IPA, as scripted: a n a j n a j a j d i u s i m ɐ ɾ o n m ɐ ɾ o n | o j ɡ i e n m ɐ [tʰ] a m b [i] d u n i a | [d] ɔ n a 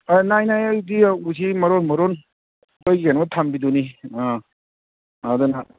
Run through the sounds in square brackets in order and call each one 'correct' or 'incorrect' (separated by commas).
correct, correct, correct